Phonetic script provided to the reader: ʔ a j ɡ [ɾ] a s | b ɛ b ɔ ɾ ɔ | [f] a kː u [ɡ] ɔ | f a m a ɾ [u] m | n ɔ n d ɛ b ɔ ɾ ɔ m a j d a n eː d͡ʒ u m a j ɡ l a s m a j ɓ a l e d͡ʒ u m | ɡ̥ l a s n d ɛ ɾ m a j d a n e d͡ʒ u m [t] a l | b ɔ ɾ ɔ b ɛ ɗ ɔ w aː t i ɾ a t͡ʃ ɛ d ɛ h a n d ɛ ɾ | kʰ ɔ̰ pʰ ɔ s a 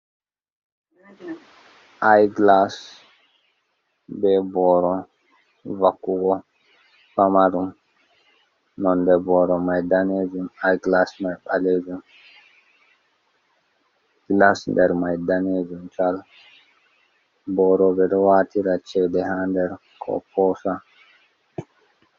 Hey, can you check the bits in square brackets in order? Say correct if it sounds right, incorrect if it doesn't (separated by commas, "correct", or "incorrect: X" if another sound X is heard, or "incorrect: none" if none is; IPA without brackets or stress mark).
incorrect: l, incorrect: v, correct, correct, incorrect: t͡ʃ